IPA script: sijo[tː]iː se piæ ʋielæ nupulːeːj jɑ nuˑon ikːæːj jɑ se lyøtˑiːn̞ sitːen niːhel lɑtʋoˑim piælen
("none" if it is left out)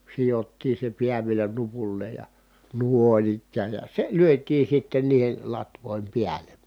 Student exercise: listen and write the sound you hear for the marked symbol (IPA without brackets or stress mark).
tː